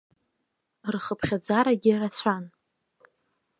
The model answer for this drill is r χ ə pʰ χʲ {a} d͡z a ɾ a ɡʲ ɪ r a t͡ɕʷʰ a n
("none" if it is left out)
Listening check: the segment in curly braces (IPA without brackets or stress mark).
a